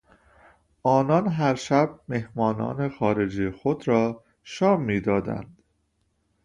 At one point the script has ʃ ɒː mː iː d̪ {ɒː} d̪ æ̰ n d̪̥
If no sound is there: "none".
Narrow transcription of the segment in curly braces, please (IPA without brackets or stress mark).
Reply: ɒː